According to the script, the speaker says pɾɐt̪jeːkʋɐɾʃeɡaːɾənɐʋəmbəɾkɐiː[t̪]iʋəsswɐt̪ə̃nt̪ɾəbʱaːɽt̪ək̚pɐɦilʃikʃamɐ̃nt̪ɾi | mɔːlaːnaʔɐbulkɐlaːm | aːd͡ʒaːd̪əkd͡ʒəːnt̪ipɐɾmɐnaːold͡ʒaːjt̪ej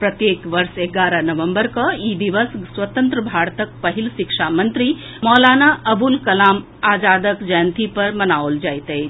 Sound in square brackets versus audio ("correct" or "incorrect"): incorrect